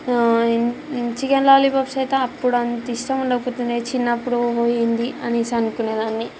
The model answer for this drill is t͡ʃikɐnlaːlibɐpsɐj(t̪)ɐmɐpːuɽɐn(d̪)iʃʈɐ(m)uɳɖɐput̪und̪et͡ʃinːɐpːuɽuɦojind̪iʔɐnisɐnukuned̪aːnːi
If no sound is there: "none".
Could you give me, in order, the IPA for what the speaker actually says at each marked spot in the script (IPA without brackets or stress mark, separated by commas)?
t̪, t̪, m